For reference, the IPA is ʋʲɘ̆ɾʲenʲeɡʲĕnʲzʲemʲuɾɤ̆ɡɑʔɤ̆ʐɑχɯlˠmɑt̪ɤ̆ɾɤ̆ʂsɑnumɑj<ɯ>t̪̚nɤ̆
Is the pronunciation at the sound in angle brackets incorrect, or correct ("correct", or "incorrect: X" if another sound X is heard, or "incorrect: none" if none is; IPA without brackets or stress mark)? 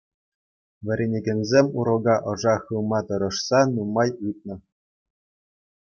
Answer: correct